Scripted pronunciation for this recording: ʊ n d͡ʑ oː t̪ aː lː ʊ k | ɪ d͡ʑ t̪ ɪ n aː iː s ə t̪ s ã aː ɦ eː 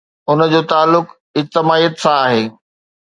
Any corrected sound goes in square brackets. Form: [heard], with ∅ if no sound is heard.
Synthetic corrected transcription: ʊ n d͡ʑ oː t̪ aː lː ʊ k | ɪ d͡ʑ t̪ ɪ [m] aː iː [∅] ə t̪ s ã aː ɦ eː